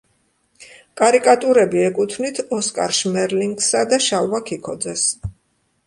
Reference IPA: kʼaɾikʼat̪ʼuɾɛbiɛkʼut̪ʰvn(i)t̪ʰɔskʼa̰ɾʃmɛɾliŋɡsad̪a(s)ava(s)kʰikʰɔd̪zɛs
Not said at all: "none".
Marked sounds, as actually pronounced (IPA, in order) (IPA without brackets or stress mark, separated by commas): i, ʃ, none